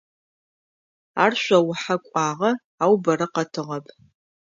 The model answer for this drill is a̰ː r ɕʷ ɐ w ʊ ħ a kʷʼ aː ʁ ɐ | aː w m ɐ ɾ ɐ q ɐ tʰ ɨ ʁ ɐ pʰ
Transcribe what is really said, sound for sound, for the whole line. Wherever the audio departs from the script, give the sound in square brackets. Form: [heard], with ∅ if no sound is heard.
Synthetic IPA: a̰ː r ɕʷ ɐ w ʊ ħ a kʷʼ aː ʁ ɐ | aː w [b] ɐ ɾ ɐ q ɐ tʰ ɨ ʁ ɐ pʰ